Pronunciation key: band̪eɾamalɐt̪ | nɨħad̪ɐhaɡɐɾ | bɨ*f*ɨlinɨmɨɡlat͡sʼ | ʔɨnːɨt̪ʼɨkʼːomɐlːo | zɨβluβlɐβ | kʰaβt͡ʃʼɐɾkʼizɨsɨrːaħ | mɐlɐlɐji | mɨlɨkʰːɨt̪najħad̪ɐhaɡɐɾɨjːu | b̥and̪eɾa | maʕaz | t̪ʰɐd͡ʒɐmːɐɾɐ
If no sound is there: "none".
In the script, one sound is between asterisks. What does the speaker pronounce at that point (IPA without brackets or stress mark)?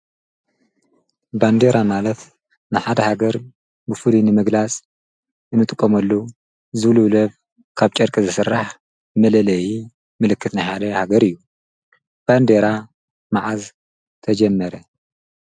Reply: f